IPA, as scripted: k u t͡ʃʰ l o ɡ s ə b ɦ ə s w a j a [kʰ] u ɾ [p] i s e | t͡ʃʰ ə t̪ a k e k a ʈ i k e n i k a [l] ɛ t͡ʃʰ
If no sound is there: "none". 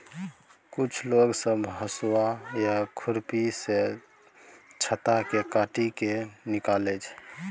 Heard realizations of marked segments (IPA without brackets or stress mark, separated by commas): kʰ, p, l